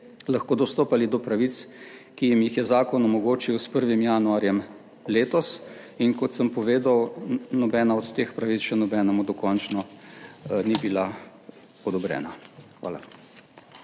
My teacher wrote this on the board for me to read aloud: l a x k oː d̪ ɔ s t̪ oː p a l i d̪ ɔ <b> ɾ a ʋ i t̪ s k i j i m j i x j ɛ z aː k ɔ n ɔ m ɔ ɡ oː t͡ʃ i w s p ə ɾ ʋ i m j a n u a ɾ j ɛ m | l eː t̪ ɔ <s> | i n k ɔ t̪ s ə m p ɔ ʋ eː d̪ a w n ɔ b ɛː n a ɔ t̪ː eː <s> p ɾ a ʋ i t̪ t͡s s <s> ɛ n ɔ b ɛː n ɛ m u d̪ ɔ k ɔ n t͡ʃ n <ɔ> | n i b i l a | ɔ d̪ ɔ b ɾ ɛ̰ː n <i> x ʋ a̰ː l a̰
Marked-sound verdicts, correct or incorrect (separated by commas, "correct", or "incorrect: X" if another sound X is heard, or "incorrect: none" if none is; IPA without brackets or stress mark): incorrect: p, correct, incorrect: x, incorrect: ʃ, correct, incorrect: a